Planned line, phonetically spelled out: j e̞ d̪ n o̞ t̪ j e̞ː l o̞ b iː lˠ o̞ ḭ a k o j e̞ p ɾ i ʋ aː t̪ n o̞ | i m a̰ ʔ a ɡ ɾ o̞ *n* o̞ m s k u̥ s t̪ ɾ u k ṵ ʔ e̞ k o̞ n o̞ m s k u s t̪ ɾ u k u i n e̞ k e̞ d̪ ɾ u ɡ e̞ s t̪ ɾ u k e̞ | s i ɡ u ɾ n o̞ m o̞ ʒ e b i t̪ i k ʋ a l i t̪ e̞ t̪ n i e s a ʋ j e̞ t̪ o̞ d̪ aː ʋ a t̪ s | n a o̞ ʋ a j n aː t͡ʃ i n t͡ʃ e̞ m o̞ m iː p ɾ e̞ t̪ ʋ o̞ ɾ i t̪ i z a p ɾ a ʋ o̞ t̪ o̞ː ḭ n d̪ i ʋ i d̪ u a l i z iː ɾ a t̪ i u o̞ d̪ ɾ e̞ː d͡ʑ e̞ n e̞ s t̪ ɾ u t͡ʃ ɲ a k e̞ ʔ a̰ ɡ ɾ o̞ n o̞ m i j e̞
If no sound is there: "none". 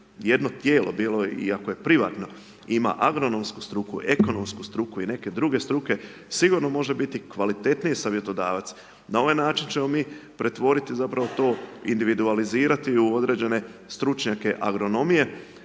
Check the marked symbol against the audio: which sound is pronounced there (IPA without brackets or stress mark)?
n